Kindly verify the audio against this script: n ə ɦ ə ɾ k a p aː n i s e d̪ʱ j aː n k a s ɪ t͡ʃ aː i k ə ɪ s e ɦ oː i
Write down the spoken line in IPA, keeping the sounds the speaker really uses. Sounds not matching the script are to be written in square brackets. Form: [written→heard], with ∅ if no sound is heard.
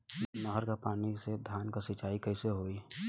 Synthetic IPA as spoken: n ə ɦ ə ɾ k a p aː n i s e d̪ʱ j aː n k a s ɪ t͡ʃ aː i k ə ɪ s e ɦ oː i

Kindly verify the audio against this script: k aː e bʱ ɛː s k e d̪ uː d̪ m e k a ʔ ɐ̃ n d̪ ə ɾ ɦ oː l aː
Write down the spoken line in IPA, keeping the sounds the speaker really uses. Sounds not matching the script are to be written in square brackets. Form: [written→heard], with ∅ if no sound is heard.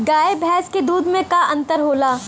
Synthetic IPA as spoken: [k→ɡ] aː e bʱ ɛː s k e d̪ uː d̪ m [e→ẽ] k a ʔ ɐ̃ n [d̪→t̪] ə ɾ ɦ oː l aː

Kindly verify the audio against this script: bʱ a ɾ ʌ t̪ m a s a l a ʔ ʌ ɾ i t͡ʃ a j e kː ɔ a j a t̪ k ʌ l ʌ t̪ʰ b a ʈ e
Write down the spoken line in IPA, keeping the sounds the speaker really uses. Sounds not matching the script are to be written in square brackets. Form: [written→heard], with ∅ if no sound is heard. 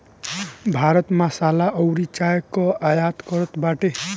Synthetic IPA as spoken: bʱ a ɾ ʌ t̪ m a s a l a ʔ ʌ ɾ i t͡ʃ a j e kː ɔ a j a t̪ k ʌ [l→ɾ] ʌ [t̪ʰ→t̪] b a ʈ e

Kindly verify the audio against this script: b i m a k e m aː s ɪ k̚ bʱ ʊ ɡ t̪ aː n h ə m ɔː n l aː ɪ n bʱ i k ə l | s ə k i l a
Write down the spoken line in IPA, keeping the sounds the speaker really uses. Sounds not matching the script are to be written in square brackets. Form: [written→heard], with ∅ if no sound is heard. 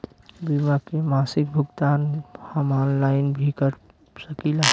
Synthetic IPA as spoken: b i m a k e m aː s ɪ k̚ bʱ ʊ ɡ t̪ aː n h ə m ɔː n l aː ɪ n bʱ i k ə [l→ɾ] | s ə k i l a

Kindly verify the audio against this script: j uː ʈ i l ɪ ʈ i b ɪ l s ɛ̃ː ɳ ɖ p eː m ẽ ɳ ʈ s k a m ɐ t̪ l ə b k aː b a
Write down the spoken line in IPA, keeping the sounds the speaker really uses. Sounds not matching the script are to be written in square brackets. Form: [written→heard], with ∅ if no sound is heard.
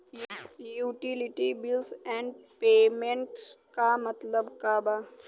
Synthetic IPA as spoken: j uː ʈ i l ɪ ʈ i b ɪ l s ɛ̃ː ɳ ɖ p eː m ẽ ɳ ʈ s k a m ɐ t̪ l ə b k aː b a

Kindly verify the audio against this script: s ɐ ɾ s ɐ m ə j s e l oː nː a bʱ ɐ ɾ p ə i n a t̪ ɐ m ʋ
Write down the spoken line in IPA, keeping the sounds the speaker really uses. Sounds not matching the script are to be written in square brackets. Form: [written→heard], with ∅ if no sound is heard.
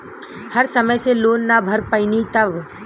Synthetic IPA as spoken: [s→h] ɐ ɾ s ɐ m ə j s e l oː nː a bʱ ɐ ɾ p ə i n [a→i] t̪ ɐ [m→∅] ʋ

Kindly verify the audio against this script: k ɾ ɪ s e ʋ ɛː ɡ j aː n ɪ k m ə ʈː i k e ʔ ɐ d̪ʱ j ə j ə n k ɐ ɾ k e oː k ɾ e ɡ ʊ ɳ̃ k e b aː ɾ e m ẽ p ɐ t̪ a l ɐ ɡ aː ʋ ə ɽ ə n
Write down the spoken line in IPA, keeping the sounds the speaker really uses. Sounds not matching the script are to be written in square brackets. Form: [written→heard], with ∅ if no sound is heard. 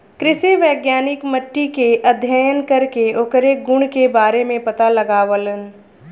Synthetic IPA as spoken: k ɾ ɪ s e ʋ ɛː ɡ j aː n ɪ k m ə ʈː i k e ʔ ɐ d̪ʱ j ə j ə n k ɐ ɾ k e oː k ɾ e ɡ ʊ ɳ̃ k e b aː ɾ e m ẽ p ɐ t̪ a l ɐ ɡ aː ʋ ə [ɽ→l] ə n

